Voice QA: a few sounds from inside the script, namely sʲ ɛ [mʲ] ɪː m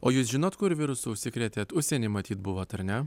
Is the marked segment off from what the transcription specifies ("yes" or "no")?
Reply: yes